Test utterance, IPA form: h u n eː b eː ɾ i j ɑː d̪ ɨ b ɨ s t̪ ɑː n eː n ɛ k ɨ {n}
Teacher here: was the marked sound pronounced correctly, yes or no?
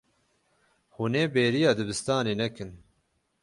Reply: yes